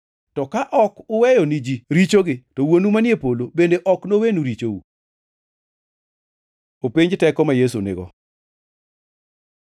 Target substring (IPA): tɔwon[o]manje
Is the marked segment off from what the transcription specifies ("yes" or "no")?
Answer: yes